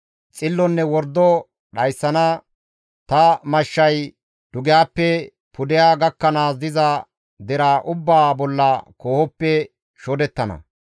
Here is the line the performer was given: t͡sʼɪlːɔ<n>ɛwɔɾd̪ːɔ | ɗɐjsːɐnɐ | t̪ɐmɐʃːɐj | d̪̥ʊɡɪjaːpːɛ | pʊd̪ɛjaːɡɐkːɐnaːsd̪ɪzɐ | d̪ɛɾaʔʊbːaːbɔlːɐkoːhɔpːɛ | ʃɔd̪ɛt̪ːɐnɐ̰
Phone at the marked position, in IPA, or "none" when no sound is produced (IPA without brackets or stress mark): nː